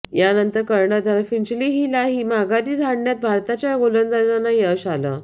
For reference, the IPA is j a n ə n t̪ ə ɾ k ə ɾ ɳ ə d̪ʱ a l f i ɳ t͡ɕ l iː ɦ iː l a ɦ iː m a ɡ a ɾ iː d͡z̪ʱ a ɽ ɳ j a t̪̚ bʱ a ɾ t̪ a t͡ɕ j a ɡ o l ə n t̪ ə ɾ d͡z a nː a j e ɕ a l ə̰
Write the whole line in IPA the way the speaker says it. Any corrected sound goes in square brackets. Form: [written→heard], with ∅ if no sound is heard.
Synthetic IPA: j a n ə n t̪ ə ɾ k ə ɾ ɳ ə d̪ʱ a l f i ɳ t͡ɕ l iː ɦ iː l a ɦ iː m a ɡ a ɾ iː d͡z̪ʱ a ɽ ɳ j a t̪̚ bʱ a ɾ t̪ a t͡ɕ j a ɡ o l ə n [t̪→d̪] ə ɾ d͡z a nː a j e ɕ a l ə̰